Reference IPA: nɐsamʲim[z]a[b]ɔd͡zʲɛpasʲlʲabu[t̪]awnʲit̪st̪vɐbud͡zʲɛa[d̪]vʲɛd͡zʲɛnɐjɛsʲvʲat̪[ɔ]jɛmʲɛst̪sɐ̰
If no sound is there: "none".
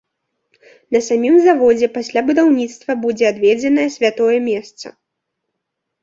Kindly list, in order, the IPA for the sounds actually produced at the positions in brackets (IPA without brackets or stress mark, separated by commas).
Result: z, v, d̪, d̪, ɔ